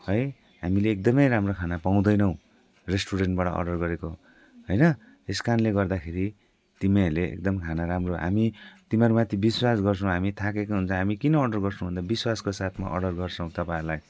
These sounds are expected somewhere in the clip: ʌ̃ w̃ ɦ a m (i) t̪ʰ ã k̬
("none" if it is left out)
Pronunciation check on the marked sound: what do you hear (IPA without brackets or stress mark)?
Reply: i